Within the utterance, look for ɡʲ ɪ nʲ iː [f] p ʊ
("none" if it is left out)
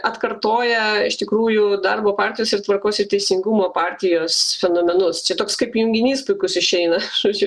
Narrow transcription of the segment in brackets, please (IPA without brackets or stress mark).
s